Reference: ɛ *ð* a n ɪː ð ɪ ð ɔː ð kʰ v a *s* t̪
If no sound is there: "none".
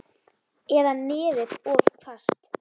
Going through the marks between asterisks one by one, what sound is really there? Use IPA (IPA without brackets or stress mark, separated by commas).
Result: ð, s